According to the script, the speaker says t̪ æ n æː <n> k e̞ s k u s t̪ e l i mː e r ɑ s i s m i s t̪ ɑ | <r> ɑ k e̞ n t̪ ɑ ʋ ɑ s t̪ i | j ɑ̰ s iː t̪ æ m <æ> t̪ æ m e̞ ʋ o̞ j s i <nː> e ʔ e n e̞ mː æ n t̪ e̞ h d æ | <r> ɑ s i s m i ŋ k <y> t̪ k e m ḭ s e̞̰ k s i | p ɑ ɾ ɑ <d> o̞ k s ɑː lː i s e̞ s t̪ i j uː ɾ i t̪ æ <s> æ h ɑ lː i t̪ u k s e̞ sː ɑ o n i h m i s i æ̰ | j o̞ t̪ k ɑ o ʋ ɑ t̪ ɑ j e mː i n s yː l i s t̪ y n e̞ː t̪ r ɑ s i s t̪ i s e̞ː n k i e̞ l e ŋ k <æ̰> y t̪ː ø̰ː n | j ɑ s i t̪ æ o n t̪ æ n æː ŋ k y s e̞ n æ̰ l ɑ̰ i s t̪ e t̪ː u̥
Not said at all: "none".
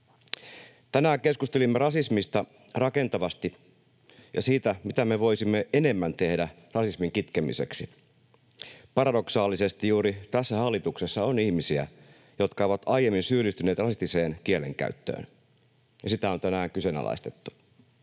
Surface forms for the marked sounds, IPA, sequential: ŋ, r, i, mː, r, i, d, sː, æ̰

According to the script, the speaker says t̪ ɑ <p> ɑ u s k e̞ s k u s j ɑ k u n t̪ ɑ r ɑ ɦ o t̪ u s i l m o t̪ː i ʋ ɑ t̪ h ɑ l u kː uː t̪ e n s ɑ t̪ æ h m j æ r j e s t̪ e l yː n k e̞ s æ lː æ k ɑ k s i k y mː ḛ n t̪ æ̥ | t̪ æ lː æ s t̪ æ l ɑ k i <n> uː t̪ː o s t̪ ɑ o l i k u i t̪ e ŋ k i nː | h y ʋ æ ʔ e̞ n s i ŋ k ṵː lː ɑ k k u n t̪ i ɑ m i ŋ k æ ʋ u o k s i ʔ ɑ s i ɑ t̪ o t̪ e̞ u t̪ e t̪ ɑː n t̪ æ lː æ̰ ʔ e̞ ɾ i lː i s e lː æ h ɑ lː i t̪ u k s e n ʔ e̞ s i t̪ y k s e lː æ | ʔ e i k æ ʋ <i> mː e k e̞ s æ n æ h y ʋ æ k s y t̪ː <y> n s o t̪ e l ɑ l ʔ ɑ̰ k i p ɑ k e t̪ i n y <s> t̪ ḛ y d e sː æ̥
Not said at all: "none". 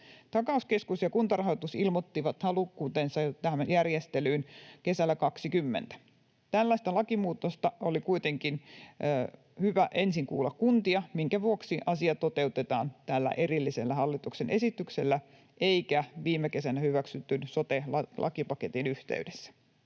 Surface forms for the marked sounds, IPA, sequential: k, m, iː, y, h

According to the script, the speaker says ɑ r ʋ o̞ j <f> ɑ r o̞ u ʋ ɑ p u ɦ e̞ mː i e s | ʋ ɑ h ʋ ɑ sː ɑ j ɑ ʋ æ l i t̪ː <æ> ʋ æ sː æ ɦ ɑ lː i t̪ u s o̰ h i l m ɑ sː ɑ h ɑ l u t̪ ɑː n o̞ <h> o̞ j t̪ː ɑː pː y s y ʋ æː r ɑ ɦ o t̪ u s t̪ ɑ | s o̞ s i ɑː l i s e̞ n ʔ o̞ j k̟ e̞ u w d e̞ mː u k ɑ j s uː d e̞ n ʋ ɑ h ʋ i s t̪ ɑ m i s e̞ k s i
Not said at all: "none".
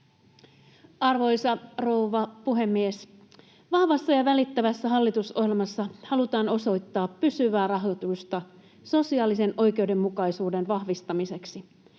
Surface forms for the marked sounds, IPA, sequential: s, æ, s

